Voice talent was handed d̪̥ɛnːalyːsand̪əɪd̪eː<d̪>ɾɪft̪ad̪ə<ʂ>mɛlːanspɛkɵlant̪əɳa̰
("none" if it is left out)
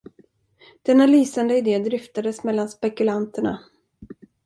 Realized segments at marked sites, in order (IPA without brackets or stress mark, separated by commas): d̪, s